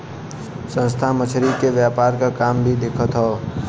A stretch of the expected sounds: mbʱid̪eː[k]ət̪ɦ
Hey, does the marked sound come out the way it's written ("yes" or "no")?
no